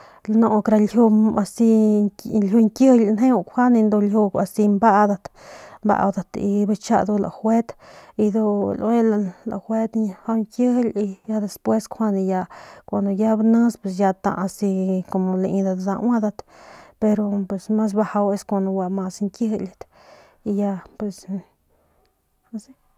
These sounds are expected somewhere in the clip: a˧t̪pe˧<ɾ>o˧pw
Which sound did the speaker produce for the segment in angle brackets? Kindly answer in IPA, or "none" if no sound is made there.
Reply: ɾ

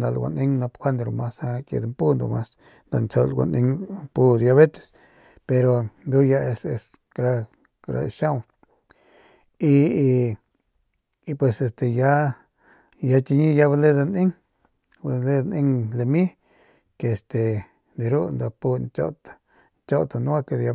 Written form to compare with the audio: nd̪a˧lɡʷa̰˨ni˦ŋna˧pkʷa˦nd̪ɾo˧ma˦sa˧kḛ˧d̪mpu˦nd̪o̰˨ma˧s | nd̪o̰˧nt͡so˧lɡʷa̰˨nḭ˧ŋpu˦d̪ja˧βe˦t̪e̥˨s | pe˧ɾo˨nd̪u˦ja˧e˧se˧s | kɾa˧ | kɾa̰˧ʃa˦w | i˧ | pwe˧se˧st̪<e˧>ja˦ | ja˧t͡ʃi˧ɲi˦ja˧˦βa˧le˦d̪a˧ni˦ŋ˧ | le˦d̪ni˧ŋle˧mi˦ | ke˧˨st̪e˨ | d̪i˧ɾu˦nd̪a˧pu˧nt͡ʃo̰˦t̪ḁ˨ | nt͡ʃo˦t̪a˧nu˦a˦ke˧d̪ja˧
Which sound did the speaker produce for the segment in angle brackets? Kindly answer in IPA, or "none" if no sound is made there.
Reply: e˧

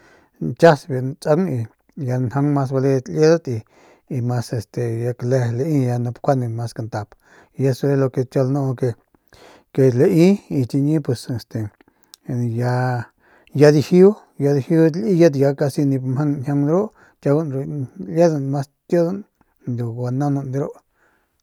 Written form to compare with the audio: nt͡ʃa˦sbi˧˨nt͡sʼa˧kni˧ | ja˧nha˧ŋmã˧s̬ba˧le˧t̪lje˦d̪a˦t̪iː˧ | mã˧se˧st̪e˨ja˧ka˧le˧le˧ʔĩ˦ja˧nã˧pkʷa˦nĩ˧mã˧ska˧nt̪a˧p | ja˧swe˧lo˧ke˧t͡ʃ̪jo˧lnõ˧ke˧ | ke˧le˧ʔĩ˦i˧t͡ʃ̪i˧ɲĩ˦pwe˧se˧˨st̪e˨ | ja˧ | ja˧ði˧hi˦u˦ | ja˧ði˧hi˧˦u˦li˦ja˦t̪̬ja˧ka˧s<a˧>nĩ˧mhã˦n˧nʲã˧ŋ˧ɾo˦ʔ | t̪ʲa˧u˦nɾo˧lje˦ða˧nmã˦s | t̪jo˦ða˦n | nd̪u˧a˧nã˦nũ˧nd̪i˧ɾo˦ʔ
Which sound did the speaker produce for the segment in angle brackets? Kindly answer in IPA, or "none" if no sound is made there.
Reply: i˧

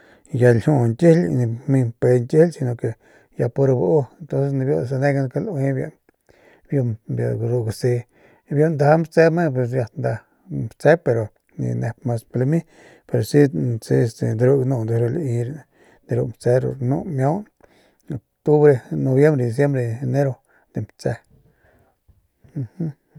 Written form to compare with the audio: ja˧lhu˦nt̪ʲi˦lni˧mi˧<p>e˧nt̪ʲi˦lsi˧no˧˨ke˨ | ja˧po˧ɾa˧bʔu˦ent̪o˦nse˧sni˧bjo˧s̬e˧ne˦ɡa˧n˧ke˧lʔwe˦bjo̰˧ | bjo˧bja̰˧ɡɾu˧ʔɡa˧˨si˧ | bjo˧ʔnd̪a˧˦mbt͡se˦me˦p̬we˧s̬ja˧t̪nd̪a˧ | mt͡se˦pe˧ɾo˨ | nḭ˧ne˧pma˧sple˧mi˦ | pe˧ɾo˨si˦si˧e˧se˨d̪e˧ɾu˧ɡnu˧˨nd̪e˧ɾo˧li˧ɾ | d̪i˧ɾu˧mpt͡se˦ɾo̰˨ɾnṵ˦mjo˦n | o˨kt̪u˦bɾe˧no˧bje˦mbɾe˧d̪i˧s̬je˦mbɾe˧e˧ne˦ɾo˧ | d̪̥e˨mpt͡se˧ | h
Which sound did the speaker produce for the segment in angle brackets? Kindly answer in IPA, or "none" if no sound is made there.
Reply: p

